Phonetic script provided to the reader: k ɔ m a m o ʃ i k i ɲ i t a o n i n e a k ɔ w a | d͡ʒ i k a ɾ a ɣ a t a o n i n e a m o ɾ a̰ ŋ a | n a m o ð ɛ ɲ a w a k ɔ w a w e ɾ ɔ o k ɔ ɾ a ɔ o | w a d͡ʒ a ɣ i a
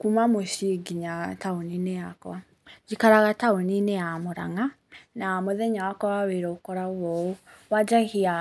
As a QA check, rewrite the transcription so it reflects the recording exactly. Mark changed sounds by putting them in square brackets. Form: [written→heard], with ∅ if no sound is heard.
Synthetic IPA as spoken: k [ɔ→u] m a m o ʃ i [k→ɡ] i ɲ [i→a] t a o n i n e a k ɔ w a | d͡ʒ i k a ɾ a ɣ a t a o n i n e a m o ɾ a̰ ŋ a | n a m o ð ɛ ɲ a w a k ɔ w a w e ɾ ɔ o k ɔ ɾ a ɔ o | w a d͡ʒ a ɣ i a